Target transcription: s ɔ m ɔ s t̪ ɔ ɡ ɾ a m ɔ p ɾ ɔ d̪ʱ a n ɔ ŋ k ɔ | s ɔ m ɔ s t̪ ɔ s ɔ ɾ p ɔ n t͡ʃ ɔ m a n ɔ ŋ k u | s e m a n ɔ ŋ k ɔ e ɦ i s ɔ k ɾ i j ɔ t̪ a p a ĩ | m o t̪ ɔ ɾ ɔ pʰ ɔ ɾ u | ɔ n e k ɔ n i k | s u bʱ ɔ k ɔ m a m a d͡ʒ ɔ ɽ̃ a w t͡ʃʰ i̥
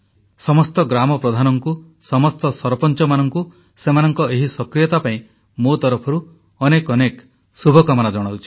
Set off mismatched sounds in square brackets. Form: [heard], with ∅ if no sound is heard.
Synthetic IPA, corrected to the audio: s ɔ m ɔ s t̪ ɔ ɡ ɾ a m ɔ p ɾ ɔ d̪ʱ a n ɔ ŋ k [u] | s ɔ m ɔ s t̪ ɔ s ɔ ɾ p ɔ n t͡ʃ ɔ m a n ɔ ŋ k u | s e m a n ɔ ŋ k ɔ e ɦ i s ɔ k ɾ i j ɔ t̪ a p a ĩ | m o t̪ ɔ ɾ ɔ pʰ ɔ ɾ u | ɔ n e k ɔ n [e] k | s u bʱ ɔ k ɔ m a [n] a d͡ʒ ɔ ɽ̃ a w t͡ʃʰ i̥